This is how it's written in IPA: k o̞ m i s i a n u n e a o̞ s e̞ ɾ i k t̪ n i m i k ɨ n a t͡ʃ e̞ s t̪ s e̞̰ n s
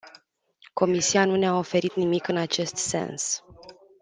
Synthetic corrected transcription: k o̞ m i s i a n u n e a o̞ f e̞ ɾ i t̪ n i m i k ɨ n a t͡ʃ e̞ s t̪ s e̞̰ n s